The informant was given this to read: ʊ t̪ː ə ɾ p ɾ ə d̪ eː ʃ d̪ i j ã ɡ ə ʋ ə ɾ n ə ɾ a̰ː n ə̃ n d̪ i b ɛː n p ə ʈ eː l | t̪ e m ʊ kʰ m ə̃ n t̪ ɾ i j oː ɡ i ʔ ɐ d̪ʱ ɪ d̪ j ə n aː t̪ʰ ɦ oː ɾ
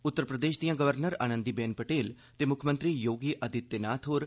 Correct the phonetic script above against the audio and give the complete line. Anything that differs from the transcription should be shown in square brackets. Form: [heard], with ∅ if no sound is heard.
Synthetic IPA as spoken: ʊ t̪ː ə ɾ p ɾ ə d̪ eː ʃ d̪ i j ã ɡ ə ʋ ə ɾ n ə ɾ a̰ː n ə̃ n d̪ i b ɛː n p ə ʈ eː l | t̪ e m ʊ kʰ m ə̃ n t̪ ɾ i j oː ɡ i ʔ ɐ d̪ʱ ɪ [t̪] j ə n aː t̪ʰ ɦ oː ɾ